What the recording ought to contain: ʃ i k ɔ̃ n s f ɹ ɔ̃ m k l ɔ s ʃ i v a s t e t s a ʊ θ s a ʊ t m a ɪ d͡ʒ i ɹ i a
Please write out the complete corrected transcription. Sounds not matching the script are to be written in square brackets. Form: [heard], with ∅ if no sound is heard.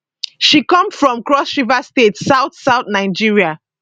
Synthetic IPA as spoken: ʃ i k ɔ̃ [m] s f ɹ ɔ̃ m k [ɹ] ɔ s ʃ i v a s t e t s a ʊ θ s a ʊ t [n] a ɪ d͡ʒ i ɹ i a